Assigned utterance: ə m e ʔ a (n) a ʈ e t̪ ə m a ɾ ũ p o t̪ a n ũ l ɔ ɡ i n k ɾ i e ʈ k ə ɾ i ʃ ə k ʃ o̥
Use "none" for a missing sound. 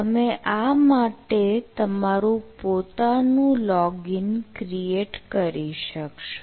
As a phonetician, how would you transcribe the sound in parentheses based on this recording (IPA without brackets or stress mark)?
m